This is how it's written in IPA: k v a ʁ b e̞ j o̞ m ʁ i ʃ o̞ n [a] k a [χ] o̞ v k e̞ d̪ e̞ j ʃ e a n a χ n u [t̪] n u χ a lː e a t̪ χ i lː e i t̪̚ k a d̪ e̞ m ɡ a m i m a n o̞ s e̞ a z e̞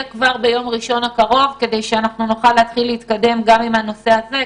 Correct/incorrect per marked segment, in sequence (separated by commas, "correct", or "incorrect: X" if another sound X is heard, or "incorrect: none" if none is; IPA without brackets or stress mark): correct, incorrect: ʁ, incorrect: none